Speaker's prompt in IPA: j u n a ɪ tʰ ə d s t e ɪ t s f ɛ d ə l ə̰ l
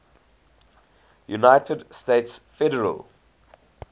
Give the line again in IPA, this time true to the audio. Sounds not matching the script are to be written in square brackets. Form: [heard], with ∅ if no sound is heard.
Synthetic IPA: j u n a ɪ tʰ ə d s t e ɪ t s f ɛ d ə [ɹ] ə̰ l